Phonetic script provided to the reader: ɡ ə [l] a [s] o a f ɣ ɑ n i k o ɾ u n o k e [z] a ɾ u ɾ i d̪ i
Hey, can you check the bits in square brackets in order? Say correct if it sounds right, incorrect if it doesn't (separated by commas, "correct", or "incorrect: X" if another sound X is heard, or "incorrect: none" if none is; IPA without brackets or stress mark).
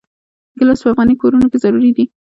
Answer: correct, correct, correct